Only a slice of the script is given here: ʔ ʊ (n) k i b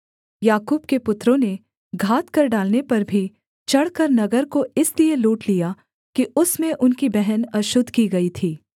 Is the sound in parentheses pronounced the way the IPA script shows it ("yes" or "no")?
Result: yes